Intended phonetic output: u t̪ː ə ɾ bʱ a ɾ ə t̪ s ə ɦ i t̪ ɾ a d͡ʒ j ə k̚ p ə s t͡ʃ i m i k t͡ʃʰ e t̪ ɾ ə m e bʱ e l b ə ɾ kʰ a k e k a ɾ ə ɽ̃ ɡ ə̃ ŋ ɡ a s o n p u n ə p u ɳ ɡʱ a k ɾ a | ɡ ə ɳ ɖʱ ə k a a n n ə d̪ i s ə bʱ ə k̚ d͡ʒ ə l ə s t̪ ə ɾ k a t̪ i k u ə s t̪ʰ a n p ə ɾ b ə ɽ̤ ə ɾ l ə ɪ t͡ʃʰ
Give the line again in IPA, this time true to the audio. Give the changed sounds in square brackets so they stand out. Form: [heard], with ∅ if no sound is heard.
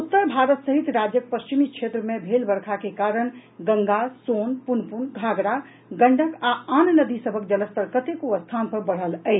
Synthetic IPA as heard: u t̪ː ə ɾ bʱ a ɾ ə t̪ s ə ɦ i t̪ ɾ a d͡ʒ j ə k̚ p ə s t͡ʃ i m i k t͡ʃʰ e t̪ ɾ ə m e bʱ e l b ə ɾ kʰ a k e k a ɾ ə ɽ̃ ɡ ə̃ ŋ ɡ a s o n p u n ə p u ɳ ɡʱ a [ɡ] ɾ a | ɡ ə ɳ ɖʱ ə k a a n n ə d̪ i s ə bʱ ə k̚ d͡ʒ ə l ə s t̪ ə ɾ k [ə] t̪ [e] k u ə s t̪ʰ a n p ə ɾ b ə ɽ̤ ə [∅] l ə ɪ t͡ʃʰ